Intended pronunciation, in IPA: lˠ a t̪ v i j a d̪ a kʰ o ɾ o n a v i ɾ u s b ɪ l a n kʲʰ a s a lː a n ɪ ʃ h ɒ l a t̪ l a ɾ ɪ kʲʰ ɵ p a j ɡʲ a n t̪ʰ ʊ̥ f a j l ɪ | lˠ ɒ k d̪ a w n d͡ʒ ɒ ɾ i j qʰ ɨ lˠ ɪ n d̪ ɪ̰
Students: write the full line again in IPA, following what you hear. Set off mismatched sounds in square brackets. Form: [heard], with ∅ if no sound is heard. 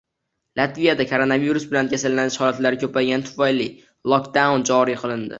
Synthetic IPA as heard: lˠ a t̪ v i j a d̪ a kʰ o ɾ o n a v i ɾ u s b ɪ l a n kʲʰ a s a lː a n ɪ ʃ h ɒ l a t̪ l a ɾ ɪ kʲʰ ɵ p a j ɡʲ a n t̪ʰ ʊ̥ f a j l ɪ | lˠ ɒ k d̪ a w n d͡ʒ ɒ ɾ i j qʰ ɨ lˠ ɪ n d̪ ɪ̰